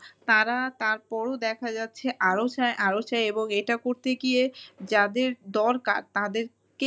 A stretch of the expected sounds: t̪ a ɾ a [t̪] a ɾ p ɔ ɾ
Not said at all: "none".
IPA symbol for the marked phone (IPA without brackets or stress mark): t̪